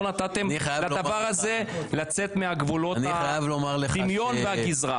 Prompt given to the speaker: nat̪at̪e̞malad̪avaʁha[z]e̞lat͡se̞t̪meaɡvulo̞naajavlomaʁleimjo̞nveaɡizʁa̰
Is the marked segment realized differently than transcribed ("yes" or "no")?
no